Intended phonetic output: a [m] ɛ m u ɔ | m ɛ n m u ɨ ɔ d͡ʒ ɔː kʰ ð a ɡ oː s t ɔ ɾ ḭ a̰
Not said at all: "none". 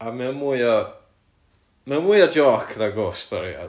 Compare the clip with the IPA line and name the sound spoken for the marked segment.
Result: m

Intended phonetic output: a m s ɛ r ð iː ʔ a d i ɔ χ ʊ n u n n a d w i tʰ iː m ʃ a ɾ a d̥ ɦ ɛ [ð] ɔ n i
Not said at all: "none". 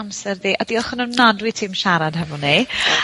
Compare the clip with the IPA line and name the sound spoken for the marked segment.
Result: v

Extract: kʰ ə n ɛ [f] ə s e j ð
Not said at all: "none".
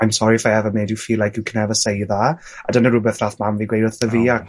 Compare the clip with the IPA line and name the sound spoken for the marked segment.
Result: v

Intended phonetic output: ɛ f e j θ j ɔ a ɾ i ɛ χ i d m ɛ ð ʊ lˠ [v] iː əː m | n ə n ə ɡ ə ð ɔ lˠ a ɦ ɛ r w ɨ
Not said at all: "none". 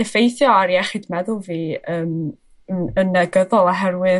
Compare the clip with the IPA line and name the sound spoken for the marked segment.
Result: v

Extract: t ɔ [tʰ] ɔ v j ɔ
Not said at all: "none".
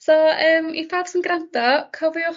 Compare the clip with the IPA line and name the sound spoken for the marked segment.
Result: kʰ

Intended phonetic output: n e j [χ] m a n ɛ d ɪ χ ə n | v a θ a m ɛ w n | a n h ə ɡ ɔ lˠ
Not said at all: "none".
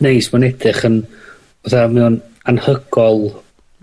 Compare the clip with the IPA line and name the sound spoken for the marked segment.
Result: s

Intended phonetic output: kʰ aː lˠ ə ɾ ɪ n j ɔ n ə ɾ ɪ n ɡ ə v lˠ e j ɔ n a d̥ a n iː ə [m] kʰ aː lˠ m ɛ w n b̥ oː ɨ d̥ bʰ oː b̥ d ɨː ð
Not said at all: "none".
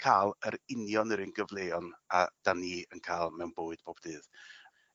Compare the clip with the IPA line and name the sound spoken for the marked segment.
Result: n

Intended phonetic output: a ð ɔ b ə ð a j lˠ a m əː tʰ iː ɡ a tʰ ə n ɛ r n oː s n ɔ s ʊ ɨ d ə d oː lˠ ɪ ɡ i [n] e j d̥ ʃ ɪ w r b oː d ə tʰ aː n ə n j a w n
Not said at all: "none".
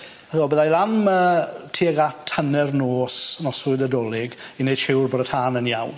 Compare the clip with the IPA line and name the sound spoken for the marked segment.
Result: n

